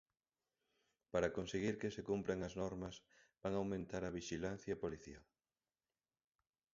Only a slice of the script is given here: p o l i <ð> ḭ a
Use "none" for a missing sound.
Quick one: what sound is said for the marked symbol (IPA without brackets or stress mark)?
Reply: θ